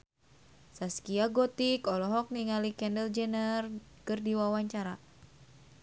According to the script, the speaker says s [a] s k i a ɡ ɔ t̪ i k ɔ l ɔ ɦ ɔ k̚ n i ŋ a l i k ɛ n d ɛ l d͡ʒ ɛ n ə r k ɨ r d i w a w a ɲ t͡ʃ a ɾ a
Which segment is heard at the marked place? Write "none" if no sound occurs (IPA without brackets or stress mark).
a